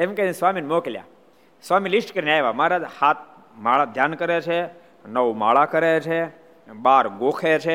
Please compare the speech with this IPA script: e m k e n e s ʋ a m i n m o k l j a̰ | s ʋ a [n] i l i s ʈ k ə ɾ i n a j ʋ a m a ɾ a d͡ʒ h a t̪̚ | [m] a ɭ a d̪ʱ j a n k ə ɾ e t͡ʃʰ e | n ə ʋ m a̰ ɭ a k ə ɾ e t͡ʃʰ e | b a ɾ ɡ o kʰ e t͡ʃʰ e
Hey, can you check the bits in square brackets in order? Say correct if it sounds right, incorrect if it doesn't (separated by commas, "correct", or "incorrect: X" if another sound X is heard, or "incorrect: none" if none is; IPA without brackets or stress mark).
incorrect: m, correct